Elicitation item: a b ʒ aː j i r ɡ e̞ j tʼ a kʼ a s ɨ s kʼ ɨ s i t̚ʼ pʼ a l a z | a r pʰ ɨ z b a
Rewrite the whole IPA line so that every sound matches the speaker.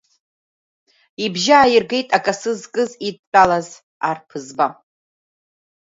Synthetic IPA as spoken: i b ʒ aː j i r ɡ e̞ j tʼ a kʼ a s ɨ z kʼ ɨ z i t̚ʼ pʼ a l a z | a r pʰ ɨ z b a

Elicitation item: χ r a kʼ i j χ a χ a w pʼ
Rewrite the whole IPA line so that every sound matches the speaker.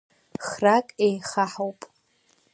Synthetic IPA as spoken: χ r a kʼ e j χ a ħ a w pʼ

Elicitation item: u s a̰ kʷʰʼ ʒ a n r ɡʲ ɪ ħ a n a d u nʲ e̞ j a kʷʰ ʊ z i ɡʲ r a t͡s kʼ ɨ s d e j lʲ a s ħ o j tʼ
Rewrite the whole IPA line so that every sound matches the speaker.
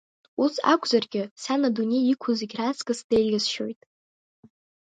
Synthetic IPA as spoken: u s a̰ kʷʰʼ z a r ɡʲ ɪ s a n a d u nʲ e̞ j i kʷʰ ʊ z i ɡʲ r a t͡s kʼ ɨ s d e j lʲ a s ʃ o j tʼ

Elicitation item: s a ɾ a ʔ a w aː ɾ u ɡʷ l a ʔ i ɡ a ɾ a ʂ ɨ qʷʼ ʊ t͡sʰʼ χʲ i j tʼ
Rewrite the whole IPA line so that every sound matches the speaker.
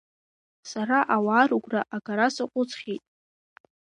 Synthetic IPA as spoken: s a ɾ a ʔ a w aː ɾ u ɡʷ r a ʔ a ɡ a ɾ a s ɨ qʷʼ ʊ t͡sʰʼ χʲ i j tʼ

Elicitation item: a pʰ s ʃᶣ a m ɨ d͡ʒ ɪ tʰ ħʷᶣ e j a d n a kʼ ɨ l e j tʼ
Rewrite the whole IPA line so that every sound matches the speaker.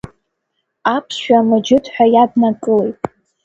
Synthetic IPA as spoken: a pʰ s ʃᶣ a m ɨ d͡ʒ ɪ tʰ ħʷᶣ a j a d n a kʼ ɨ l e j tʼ

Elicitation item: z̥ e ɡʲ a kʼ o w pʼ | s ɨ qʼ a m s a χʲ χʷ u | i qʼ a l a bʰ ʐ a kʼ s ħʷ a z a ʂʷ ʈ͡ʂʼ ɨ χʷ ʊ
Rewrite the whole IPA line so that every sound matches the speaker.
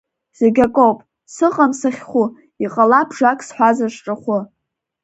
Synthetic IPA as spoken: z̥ e ɡʲ a kʼ o w pʼ | s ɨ qʼ a m s a χʲ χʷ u | i qʼ a l a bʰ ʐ a kʼ s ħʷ a z a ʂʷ ʈ͡ʂʼ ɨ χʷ ʊ

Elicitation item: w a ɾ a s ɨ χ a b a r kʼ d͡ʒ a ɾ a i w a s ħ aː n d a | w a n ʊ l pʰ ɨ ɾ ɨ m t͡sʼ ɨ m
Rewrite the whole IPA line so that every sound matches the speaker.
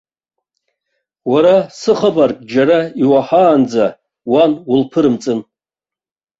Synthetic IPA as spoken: w a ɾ a s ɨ χ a b a r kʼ d͡ʒ a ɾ a i w a ħ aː n d͡z a | w a n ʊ l pʰ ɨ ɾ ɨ m t͡sʼ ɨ n

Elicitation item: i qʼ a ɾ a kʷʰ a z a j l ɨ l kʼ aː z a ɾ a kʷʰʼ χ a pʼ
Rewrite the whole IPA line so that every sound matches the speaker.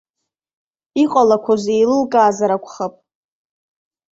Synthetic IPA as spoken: i qʼ a l a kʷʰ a z e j l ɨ l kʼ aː z a ɾ a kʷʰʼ χ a pʼ

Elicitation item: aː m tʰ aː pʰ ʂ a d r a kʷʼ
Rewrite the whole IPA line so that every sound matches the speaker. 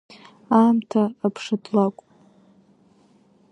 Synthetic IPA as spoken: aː m tʰ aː pʰ ʂ a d l a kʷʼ

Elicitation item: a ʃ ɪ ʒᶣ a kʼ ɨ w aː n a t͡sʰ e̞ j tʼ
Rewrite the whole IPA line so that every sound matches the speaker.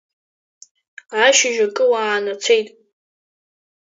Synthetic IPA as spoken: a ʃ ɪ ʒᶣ a kʼ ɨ w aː n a t͡sʰ e̞ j tʼ

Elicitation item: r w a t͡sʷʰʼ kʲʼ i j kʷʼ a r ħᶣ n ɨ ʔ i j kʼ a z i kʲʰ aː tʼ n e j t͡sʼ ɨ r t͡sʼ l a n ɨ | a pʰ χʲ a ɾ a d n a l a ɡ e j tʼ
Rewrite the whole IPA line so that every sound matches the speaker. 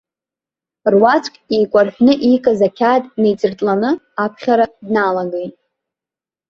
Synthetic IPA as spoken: r w a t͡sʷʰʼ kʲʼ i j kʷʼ a r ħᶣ n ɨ ʔ i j kʼ a z a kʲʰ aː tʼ n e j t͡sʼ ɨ r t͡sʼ l a n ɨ | a pʰ χʲ a ɾ a d n a l a ɡ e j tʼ

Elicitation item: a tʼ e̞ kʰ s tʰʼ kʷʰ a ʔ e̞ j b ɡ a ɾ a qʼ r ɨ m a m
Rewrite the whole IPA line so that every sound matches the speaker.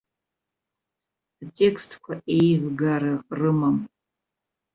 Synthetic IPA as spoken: a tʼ e̞ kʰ s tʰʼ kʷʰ a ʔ e̞ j v ɡ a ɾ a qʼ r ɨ m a m

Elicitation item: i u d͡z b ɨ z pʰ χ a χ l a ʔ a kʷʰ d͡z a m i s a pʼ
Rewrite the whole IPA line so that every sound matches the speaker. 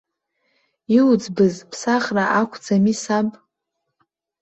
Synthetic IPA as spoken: i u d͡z b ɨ z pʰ s a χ r a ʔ a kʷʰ d͡z a m i s a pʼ

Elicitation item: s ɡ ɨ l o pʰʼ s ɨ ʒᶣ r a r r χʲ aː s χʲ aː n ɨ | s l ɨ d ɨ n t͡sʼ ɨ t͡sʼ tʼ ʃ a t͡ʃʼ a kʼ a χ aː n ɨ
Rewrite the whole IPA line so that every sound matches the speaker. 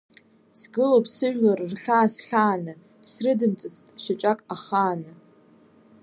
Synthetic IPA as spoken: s ɡ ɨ l o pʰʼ s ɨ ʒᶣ l a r r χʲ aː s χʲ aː n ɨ | s r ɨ d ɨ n t͡sʼ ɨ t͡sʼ tʼ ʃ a t͡ʃʼ a kʼ a χ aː n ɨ

